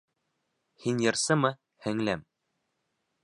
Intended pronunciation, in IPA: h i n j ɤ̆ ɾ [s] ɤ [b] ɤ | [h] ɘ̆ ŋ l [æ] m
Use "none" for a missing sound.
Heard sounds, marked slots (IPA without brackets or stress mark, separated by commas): s, m, h, æ